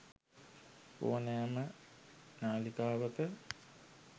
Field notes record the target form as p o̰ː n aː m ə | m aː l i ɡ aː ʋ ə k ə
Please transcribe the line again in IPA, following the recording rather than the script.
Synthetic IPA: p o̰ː n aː m ə | n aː l i k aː ʋ ə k ə